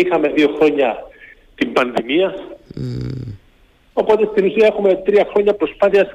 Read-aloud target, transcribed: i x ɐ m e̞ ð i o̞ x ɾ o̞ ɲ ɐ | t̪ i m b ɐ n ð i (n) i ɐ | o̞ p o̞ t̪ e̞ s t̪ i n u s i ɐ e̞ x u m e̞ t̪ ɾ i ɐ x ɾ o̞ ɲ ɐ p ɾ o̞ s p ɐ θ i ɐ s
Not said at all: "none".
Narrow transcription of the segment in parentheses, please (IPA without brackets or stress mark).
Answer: m